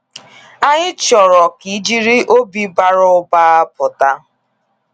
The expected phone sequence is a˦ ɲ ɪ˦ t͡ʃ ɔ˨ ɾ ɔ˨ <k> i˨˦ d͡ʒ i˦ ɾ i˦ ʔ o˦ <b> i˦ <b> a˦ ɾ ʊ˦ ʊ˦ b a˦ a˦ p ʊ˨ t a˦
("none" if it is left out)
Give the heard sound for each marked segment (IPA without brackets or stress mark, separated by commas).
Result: k, b, b